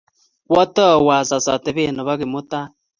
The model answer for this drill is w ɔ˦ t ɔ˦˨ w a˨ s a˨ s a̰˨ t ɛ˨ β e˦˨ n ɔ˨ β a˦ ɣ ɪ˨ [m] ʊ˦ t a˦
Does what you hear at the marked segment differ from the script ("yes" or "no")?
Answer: no